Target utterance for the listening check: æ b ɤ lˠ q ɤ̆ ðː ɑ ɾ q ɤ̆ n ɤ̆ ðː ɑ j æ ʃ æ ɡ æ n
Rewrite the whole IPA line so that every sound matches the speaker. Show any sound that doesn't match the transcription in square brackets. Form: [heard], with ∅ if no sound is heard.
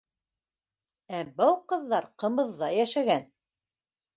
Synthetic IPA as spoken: æ b ɤ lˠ q ɤ̆ ðː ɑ ɾ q ɤ̆ [m] ɤ̆ ðː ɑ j æ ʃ æ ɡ æ n

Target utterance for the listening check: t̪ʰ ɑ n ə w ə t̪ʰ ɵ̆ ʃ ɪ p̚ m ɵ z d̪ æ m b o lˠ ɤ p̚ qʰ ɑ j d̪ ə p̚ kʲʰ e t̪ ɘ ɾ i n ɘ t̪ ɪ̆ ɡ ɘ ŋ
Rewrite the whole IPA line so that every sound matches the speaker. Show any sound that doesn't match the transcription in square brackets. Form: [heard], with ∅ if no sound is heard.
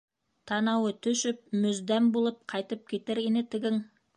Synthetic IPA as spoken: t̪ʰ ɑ n [ɑ] w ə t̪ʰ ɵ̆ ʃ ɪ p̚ m ɵ z d̪ æ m b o lˠ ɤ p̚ qʰ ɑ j [t̪] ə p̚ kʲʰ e t̪ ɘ ɾ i n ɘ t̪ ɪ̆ ɡ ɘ ŋ

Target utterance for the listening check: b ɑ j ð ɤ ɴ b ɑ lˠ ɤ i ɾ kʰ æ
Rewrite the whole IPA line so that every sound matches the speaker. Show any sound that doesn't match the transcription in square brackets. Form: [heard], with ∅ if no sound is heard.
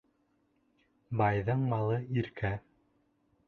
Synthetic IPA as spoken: b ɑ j ð ɤ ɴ [m] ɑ lˠ ɤ i ɾ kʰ æ

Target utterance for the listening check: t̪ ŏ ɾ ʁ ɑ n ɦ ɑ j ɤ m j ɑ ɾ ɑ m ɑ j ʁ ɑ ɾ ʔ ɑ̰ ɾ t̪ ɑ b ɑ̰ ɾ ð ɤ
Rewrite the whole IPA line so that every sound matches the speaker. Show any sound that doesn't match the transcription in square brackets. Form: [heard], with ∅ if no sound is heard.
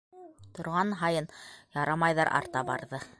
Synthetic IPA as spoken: t̪ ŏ ɾ ʁ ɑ n ɦ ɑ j ɤ [n] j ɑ ɾ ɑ m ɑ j [ð] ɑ ɾ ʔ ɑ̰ ɾ t̪ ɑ b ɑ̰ ɾ ð ɤ

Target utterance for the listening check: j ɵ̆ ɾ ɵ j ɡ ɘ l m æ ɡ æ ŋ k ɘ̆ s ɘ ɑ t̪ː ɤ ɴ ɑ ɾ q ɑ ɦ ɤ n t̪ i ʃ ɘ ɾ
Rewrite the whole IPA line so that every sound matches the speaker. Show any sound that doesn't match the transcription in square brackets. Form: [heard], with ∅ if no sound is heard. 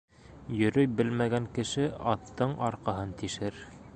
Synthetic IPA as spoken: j ɵ̆ ɾ ɵ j [b] ɘ l m æ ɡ æ ŋ k ɘ̆ [ʃ] ɘ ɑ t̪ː ɤ ɴ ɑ ɾ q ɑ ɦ ɤ n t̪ i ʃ ɘ ɾ

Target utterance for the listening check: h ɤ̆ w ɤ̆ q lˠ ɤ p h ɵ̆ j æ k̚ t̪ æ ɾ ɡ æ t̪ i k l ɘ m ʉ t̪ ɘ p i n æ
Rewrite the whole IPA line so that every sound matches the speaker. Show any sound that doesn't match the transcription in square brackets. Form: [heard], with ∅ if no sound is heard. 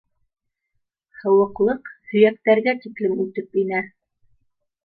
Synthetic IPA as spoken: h ɤ̆ w ɤ̆ q lˠ ɤ [q] h ɵ̆ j æ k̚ t̪ æ ɾ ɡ æ t̪ i k l ɘ m ʉ t̪ ɘ p i n æ

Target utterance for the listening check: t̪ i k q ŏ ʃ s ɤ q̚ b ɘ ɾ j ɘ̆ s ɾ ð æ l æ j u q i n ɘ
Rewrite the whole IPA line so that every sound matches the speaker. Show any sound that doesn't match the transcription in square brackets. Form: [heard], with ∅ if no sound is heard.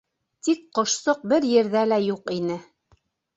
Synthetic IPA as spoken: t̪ i k q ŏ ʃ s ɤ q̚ b ɘ ɾ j ɘ̆ [∅] ɾ ð æ l æ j u q i n ɘ

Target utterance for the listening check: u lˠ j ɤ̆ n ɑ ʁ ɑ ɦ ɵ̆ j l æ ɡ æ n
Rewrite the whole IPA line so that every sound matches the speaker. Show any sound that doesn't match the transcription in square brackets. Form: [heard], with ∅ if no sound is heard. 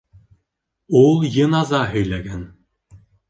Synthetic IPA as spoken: u lˠ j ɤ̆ n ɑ [z] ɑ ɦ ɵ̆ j l æ ɡ æ n

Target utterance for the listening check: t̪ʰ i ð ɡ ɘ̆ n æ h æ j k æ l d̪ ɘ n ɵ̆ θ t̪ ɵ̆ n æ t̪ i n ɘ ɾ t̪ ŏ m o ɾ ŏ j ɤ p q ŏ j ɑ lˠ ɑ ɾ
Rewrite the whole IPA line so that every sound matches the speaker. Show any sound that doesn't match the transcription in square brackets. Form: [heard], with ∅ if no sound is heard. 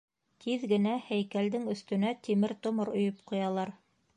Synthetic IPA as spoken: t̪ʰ i ð ɡ ɘ̆ n æ h æ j k æ l d̪ ɘ [ŋ] ɵ̆ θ t̪ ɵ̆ n æ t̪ i [m] ɘ ɾ t̪ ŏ m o ɾ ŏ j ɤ p q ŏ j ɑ lˠ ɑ ɾ

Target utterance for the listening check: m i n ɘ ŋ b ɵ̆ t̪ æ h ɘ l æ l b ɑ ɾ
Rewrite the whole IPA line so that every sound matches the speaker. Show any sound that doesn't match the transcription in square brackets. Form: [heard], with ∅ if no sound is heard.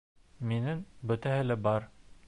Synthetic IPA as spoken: m i n ɘ ŋ b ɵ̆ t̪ æ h ɘ l æ [∅] b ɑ ɾ

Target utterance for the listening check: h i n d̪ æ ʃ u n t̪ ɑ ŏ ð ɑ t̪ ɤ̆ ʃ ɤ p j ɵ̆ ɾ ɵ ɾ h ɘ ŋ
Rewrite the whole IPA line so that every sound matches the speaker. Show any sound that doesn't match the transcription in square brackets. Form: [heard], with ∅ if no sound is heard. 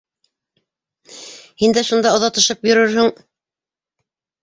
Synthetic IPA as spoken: h i n d̪ æ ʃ u n [d̪] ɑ ŏ ð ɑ t̪ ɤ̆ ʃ ɤ p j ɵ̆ ɾ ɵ ɾ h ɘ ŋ

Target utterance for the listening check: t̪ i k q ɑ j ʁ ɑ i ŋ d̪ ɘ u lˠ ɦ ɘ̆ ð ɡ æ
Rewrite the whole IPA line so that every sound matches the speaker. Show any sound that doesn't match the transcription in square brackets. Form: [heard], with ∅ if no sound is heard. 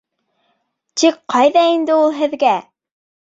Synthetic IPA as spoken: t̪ i k q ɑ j [ð] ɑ i [n] d̪ ɘ u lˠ ɦ ɘ̆ ð ɡ æ

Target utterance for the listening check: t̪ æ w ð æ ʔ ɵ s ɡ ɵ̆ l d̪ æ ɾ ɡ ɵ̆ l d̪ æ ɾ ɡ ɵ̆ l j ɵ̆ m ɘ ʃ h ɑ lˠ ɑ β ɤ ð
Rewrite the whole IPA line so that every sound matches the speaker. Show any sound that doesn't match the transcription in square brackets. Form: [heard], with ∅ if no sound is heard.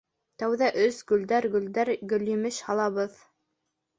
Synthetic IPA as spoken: t̪ æ w ð æ ʔ ɵ s ɡ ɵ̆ l d̪ æ ɾ ɡ ɵ̆ l d̪ æ ɾ ɡ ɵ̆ l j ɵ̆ m ɘ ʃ h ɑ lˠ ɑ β ɤ ð

